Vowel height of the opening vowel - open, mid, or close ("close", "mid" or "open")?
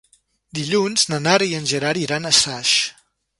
close